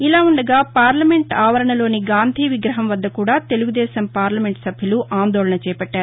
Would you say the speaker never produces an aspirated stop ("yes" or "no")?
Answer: yes